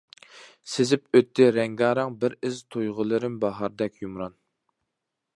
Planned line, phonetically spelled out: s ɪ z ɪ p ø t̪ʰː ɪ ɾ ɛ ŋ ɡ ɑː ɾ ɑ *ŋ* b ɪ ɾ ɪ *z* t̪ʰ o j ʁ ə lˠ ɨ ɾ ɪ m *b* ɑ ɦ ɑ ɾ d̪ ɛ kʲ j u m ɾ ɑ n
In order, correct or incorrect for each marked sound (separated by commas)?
correct, correct, correct